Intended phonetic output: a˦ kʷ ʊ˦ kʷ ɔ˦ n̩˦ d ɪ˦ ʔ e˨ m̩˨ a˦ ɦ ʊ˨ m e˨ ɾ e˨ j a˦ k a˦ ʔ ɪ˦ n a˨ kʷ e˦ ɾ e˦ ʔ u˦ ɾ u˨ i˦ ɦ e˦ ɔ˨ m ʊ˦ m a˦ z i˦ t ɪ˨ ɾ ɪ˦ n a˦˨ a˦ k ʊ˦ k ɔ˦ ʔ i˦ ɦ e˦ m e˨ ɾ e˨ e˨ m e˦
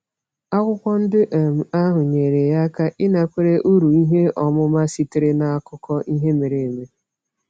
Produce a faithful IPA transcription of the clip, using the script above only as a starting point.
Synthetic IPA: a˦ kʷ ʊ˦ kʷ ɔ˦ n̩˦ d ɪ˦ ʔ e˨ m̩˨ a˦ ɦ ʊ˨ ɲ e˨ ɾ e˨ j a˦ k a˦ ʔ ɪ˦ n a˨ kʷ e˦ ɾ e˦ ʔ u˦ ɾ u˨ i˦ ɦ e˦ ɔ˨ m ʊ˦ m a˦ s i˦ t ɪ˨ ɾ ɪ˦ n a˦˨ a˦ k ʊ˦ k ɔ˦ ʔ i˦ ɦ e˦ m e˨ ɾ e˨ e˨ m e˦